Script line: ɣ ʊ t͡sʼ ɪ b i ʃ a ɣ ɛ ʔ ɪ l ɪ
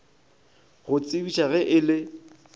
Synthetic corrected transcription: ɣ ʊ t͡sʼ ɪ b i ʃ a ɣ ɛ ʔ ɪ l ɪ